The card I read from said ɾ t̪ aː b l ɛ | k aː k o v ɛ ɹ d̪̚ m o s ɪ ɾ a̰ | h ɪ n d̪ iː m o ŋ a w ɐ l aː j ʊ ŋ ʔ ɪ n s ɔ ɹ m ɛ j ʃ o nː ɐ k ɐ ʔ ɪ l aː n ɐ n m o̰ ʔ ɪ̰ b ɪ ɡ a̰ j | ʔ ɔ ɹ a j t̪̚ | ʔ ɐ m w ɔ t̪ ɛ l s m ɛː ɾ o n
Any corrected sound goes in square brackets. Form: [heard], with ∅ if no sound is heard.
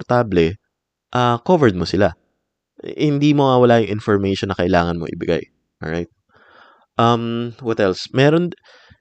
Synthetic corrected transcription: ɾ t̪ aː b l ɛ | [ʔ] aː k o v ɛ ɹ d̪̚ m o s ɪ [l] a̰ | h ɪ n d̪ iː m o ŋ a w ɐ l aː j ʊ ŋ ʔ ɪ n [f] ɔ ɹ m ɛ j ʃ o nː ɐ k ɐ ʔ ɪ l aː [ŋ] ɐ n m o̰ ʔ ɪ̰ b ɪ ɡ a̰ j | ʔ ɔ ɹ a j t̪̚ | ʔ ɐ m w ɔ t̪ ɛ l s m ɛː ɾ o n